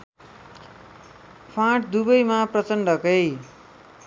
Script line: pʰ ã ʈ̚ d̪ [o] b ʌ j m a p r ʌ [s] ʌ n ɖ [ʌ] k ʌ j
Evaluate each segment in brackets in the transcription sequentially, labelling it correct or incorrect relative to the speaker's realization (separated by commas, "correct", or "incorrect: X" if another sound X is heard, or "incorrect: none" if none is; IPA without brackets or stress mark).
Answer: incorrect: u, incorrect: t͡s, correct